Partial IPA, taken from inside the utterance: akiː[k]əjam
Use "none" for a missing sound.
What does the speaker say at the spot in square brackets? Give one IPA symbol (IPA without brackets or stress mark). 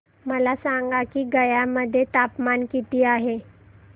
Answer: ɡ